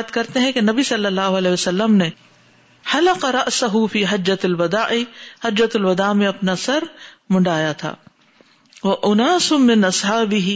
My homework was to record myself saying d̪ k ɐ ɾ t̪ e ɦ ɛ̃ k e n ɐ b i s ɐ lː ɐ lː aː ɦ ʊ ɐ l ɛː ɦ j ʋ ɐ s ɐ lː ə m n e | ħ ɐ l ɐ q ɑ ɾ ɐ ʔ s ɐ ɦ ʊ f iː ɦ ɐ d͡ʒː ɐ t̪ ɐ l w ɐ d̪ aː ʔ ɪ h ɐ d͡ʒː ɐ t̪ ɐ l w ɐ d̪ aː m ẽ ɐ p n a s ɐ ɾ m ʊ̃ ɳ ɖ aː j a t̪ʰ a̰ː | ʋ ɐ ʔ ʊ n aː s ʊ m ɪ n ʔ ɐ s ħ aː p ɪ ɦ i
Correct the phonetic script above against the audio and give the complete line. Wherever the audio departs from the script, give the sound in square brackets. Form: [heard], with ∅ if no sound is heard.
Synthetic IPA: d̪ k ɐ ɾ t̪ e ɦ ɛ̃ k e n ɐ b i s ɐ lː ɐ lː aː ɦ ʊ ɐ l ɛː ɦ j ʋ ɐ s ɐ lː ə m n e | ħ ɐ l ɐ q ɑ ɾ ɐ ʔ s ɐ ɦ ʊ f iː ɦ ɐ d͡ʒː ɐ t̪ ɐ l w ɐ d̪ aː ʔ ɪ h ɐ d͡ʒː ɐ t̪ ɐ l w ɐ d̪ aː m ẽ ɐ p n a s ɐ ɾ m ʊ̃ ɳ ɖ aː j a t̪ʰ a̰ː | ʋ ɐ ʔ ʊ n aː s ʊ m ɪ n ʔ ɐ s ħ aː [b] ɪ ɦ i